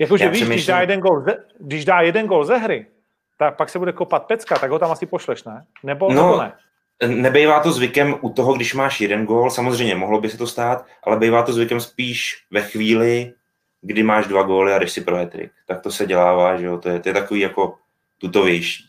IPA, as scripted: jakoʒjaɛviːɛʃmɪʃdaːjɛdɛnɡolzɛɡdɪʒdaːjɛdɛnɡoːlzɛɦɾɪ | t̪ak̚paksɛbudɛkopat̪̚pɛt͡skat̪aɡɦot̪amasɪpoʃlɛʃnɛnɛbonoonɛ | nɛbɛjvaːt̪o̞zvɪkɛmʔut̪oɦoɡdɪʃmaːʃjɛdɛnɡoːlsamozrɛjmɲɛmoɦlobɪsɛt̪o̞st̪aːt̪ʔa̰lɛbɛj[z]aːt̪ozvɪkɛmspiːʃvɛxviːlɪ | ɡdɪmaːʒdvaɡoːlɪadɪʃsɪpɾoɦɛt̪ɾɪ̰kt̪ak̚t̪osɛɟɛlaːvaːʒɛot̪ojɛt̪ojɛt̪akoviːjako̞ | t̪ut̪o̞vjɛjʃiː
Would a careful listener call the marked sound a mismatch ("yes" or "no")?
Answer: yes